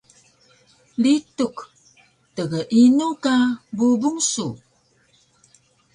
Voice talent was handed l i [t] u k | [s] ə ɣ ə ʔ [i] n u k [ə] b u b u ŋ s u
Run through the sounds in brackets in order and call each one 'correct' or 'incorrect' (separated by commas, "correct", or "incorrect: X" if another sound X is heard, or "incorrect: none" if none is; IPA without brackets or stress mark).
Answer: correct, incorrect: t, correct, incorrect: a